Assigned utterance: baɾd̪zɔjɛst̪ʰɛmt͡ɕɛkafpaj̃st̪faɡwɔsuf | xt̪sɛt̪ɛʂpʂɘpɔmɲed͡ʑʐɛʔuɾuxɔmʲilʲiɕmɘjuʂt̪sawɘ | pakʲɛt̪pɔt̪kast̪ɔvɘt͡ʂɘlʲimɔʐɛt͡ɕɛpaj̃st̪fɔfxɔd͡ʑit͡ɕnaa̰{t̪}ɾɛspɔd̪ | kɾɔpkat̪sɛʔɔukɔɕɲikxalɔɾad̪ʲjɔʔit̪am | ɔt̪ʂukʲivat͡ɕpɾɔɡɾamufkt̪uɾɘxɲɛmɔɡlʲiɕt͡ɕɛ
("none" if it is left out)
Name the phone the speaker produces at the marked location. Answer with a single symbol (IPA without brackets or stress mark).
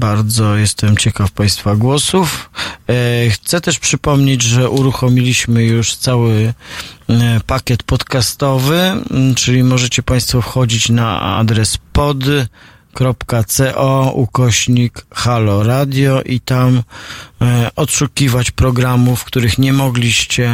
d̪